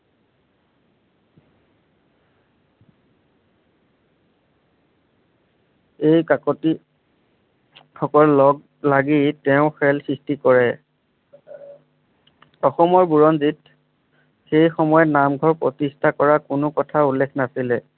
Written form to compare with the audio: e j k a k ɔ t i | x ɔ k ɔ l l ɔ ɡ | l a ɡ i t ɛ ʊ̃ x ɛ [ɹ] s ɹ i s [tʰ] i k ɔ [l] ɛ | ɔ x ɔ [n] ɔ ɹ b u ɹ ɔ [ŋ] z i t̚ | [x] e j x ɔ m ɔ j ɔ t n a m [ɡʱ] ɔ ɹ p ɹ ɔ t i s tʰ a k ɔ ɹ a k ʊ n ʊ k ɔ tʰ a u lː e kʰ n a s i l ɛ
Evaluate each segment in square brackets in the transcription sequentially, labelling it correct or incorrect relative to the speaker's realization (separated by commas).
incorrect, incorrect, incorrect, incorrect, incorrect, correct, correct